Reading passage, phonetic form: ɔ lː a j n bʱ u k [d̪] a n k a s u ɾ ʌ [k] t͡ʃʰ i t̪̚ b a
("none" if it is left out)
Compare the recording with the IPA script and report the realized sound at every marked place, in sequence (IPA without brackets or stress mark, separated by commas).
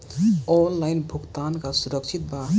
t̪, k